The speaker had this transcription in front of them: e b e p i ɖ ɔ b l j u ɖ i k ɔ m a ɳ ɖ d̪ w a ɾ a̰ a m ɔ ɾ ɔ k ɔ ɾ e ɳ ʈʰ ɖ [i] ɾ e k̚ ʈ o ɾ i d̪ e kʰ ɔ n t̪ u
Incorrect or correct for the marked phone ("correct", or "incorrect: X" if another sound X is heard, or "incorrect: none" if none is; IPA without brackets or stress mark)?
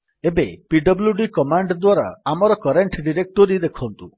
correct